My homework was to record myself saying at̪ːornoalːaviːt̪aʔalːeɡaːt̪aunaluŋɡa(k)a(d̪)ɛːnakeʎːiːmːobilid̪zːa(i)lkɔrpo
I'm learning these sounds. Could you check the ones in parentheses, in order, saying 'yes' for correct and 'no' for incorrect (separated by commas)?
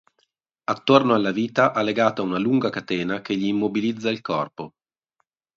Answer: yes, no, yes